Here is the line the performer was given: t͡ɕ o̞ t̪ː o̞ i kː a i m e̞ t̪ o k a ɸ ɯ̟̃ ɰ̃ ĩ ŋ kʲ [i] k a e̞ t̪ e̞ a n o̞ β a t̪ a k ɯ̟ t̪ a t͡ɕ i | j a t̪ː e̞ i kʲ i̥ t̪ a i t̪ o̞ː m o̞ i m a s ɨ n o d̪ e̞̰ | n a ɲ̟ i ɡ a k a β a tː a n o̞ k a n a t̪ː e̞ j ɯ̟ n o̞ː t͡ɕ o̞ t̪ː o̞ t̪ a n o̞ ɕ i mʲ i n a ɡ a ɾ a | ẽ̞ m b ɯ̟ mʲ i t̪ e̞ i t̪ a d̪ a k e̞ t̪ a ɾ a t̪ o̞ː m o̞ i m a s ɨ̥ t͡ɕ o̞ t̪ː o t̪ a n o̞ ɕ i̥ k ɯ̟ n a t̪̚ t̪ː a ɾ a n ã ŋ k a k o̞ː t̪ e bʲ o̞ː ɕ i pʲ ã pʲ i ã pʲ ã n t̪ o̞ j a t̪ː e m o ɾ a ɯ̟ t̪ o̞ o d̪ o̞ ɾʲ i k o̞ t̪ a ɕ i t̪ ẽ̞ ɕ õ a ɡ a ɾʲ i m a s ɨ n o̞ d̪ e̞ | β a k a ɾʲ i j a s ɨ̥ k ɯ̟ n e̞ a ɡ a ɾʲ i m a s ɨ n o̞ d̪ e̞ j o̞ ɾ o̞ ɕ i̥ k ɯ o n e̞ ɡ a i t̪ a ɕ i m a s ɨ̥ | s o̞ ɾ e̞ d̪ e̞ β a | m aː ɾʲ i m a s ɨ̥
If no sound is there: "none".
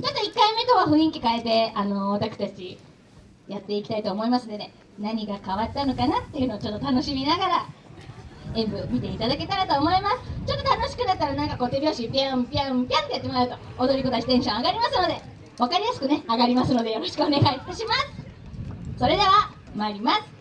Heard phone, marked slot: i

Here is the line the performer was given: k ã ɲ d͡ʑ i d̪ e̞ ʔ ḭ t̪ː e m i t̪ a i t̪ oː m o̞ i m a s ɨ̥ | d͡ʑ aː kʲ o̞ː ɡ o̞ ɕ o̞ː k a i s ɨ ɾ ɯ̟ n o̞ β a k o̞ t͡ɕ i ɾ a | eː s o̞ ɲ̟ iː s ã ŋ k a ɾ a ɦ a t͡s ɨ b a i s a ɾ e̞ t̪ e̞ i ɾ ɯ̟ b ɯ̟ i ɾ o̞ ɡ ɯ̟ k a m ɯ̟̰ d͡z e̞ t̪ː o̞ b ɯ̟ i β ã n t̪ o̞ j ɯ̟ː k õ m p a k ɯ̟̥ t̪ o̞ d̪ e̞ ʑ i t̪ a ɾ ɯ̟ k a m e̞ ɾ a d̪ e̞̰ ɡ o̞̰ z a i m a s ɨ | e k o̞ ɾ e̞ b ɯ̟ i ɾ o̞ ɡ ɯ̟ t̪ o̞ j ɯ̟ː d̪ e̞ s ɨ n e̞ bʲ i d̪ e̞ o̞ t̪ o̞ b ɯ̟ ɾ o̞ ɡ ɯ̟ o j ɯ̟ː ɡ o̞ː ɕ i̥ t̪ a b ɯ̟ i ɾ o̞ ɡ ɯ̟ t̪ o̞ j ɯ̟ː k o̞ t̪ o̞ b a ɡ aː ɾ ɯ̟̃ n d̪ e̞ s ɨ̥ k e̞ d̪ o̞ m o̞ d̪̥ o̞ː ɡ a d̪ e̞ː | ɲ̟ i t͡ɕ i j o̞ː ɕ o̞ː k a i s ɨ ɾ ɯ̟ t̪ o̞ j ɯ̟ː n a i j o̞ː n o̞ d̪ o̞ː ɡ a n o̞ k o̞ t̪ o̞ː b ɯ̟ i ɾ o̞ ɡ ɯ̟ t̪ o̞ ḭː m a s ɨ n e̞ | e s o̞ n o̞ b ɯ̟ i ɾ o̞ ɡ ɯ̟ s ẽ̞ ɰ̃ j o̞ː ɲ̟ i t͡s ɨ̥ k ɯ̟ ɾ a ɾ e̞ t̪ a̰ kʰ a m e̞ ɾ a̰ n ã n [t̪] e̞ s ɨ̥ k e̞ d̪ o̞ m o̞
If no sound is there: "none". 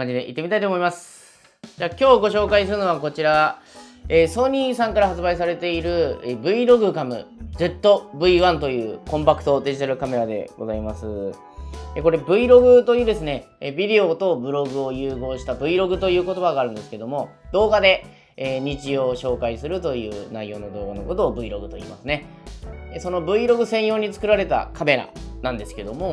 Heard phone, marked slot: d̪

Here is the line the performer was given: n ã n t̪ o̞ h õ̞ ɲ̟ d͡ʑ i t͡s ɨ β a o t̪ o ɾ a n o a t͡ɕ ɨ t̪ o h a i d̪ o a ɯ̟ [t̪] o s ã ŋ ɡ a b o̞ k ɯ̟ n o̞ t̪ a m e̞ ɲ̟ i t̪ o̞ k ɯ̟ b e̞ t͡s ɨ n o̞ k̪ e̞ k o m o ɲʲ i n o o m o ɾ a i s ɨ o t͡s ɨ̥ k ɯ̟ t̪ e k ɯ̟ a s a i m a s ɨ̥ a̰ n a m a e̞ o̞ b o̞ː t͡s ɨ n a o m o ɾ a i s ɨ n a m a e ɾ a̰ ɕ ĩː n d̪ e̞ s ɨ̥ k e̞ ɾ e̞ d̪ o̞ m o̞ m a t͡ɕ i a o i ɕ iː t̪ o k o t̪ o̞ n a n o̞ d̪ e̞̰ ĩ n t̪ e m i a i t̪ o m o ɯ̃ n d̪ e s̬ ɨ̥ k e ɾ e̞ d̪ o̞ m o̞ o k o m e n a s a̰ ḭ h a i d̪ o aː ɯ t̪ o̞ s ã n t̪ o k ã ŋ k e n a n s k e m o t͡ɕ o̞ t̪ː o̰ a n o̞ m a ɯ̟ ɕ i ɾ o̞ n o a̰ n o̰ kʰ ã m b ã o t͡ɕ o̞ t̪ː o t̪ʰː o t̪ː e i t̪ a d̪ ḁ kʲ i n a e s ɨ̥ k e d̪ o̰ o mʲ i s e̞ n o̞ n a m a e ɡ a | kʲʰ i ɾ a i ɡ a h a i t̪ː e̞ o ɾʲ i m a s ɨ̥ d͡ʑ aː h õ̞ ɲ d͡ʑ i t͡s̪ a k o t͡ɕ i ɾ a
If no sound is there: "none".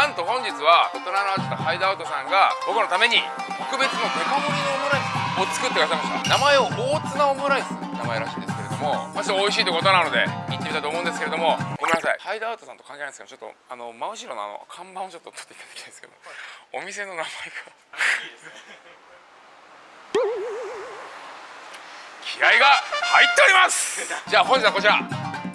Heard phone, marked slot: t̪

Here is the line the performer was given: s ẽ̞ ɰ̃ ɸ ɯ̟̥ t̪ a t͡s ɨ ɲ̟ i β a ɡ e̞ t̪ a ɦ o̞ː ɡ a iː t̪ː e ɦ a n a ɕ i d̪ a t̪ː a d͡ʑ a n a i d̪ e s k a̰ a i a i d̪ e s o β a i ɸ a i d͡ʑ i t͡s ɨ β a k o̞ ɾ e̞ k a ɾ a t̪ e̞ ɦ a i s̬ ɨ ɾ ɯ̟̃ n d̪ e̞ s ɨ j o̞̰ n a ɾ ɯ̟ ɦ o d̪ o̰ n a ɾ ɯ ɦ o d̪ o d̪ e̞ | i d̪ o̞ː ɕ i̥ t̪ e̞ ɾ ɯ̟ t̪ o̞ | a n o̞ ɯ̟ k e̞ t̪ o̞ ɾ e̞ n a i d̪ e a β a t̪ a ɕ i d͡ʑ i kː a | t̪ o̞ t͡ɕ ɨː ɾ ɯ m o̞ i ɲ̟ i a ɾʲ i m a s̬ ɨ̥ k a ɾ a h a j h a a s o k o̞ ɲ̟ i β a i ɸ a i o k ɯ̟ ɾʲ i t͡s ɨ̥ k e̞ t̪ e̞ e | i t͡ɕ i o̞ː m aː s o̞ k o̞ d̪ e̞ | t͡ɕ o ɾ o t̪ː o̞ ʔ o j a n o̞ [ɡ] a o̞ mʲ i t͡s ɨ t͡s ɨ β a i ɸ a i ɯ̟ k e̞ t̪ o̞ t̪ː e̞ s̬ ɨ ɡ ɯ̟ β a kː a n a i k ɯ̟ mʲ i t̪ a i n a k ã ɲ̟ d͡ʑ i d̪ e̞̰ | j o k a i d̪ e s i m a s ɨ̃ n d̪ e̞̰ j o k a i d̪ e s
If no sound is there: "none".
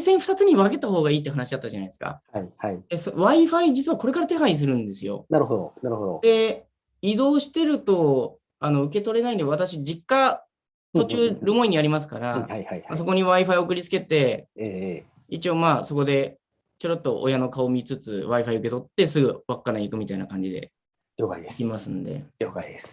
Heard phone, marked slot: k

